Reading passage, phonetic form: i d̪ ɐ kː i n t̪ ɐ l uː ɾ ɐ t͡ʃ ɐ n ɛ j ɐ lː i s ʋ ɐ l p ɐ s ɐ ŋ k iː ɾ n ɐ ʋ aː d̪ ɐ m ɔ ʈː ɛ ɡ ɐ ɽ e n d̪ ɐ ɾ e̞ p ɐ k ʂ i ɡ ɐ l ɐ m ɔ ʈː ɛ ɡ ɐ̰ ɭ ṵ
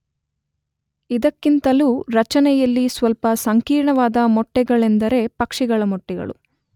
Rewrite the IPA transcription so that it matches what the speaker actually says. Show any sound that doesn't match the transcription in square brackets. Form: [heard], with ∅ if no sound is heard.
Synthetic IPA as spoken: i d̪ ɐ kː i n t̪ ɐ l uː ɾ ɐ t͡ʃ ɐ n ɛ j ɐ lː i s ʋ ɐ l p ɐ s ɐ ŋ k iː ɾ [ɳ] ɐ ʋ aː d̪ ɐ m ɔ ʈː ɛ ɡ ɐ [ɭ] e n d̪ ɐ ɾ e̞ p ɐ k ʂ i ɡ ɐ [ɭ] ɐ m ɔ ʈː ɛ ɡ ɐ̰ ɭ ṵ